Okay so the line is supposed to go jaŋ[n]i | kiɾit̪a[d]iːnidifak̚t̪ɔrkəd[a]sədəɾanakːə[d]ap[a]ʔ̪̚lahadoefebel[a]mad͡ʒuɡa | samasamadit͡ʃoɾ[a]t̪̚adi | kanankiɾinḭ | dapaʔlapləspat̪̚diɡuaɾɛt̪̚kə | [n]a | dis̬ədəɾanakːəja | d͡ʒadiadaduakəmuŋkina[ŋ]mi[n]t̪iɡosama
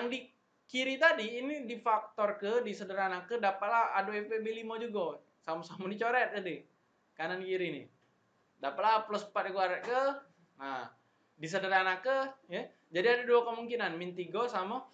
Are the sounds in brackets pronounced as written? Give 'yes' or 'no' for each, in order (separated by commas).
no, yes, no, yes, yes, no, no, yes, no, yes